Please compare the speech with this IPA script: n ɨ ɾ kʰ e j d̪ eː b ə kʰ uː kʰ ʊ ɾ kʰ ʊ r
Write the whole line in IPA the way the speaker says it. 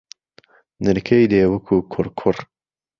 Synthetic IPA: n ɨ ɾ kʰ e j d̪ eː w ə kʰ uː kʰ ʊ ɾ kʰ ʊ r

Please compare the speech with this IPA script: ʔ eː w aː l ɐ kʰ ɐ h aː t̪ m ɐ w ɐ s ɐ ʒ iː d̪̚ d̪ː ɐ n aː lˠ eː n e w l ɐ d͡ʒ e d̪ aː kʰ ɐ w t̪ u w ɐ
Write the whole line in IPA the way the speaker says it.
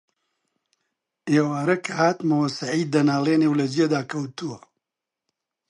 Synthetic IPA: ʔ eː w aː ɾ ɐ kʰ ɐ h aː t̪ m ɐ w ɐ s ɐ ʕ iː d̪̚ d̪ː ɐ n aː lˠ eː n e w l ɐ d͡ʒ e d̪ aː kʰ ɐ w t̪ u w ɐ

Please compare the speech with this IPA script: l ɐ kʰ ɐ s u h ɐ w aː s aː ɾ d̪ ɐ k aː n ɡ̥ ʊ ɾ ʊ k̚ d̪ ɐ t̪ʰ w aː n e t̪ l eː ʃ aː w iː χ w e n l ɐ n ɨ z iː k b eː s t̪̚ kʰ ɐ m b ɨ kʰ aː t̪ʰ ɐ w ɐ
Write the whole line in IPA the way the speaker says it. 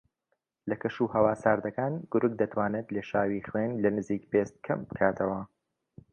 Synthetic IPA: l ɐ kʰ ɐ ʃ u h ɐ w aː s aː ɾ d̪ ɐ k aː n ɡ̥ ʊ ɾ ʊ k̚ d̪ ɐ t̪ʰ w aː n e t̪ l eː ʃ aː w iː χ w e n l ɐ n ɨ z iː k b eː s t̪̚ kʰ ɐ m b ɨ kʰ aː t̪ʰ ɐ w ɐ

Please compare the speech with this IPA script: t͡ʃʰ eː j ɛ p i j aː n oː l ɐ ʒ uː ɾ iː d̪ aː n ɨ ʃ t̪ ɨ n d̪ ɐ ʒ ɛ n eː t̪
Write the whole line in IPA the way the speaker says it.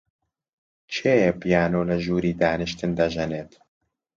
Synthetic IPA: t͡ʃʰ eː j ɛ p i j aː n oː l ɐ ʒ uː ɾ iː d̪ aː n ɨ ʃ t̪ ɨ n d̪ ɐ ʒ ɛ n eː t̪

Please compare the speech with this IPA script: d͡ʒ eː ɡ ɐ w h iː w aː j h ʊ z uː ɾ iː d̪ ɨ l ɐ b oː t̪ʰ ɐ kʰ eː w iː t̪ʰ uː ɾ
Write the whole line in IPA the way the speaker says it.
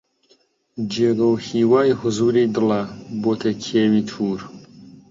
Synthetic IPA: d͡ʒ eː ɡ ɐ w h iː w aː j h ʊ z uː ɾ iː d̪ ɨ l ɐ b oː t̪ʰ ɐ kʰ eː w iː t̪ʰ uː ɾ

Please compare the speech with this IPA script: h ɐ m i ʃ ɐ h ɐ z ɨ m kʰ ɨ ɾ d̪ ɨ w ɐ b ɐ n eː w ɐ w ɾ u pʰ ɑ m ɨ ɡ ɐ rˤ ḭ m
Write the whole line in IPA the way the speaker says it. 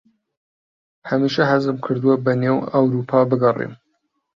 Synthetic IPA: h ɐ m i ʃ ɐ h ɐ z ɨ m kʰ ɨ ɾ d̪ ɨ w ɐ b ɐ n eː w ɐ w ɾ u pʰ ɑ b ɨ ɡ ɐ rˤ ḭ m

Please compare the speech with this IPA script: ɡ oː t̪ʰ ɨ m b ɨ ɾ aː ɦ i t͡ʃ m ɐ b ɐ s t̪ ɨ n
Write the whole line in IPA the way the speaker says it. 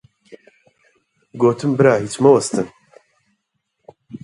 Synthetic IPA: ɡ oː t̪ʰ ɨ m b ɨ ɾ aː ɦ i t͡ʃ m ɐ w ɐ s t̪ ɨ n

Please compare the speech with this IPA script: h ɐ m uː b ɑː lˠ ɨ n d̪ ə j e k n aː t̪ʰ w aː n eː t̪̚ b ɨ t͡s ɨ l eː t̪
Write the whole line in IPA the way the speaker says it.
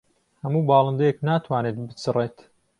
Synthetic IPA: h ɐ m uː b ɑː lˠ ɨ n d̪ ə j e k n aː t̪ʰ w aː n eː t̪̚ b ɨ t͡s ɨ r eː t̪

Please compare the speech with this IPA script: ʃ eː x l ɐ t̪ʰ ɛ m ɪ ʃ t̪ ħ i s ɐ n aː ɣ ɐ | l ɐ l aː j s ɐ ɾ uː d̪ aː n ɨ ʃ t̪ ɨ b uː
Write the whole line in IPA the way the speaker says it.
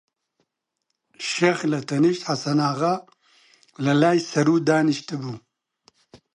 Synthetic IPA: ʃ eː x l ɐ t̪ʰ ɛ n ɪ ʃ t̪ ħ a s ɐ n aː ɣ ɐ | l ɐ l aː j s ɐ ɾ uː d̪ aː n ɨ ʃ t̪ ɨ b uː

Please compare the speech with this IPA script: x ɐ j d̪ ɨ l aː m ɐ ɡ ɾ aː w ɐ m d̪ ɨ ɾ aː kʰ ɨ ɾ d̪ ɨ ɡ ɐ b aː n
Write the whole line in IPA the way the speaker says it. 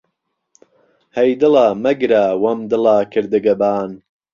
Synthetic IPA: h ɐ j d̪ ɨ l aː m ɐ ɡ ɾ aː w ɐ m d̪ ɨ l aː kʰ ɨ ɾ d̪ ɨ ɡ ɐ b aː n

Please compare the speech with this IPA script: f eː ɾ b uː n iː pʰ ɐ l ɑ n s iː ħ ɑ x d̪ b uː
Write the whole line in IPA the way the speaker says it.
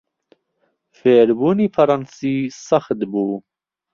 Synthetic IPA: f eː ɾ b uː n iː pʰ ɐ ɾ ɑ n s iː s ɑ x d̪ b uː

